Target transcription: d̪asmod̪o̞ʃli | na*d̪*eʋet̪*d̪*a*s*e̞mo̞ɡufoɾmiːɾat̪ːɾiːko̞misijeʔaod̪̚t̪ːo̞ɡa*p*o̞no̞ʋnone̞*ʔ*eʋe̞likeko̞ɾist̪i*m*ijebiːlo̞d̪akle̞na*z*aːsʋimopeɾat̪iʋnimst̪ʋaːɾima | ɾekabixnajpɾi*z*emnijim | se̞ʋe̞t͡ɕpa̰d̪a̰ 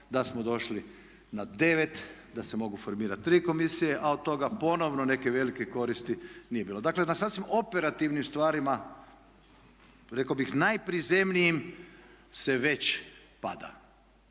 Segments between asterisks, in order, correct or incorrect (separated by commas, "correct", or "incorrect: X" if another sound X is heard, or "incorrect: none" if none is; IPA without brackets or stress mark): correct, correct, correct, correct, incorrect: k, incorrect: n, incorrect: s, correct